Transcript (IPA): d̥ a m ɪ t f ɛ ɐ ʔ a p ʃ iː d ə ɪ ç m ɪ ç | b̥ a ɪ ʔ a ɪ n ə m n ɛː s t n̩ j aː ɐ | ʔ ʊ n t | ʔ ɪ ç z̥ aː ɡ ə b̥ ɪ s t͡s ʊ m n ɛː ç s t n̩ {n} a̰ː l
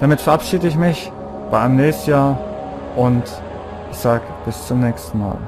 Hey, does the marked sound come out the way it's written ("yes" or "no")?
no